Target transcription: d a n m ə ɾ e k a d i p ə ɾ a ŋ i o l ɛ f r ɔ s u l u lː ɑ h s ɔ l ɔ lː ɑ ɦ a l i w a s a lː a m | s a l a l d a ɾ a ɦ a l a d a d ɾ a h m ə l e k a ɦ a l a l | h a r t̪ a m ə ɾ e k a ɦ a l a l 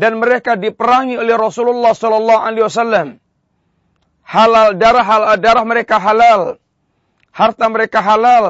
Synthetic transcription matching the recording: d a n m ə ɾ e k a d i p ə ɾ a ŋ i o l ɛ h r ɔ s u l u lː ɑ h s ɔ l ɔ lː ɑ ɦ a l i w a s a lː a m | h a l a l d a ɾ a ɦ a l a d a ɾ a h m ə ɾ e k a ɦ a l a l | h a r t̪ a m ə ɾ e k a ɦ a l a l